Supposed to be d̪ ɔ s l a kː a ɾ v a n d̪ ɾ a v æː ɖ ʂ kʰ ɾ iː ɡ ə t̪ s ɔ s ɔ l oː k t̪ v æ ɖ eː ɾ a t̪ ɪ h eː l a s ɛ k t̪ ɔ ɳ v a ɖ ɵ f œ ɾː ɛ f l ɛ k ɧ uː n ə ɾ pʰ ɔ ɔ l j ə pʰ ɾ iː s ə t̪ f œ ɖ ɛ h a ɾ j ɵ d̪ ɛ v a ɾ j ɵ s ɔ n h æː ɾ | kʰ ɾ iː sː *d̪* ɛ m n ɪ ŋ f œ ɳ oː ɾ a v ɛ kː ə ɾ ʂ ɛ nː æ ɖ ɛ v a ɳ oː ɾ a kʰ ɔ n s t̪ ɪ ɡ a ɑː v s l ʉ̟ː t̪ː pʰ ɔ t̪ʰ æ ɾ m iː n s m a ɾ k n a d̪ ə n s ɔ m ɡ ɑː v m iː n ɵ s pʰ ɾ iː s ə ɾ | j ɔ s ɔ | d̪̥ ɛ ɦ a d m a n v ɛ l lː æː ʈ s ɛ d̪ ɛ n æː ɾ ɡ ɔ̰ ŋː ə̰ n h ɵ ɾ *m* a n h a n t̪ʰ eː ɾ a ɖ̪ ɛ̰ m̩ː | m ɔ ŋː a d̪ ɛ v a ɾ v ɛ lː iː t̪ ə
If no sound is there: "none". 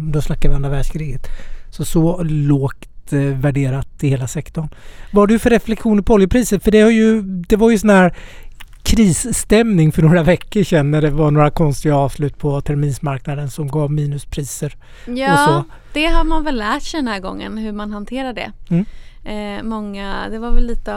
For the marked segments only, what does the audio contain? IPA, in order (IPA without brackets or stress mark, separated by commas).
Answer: t̪, m